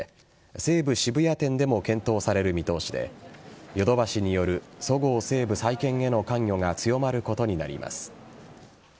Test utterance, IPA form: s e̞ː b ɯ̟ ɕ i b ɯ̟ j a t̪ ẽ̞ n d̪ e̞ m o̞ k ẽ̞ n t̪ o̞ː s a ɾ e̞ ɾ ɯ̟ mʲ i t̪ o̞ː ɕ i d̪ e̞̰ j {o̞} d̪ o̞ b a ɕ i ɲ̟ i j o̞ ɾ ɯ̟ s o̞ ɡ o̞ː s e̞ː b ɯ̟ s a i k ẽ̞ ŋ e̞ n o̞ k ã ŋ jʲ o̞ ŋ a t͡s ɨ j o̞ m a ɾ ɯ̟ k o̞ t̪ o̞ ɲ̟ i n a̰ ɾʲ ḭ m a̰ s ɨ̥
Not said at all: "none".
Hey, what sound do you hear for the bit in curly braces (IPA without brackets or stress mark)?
o̞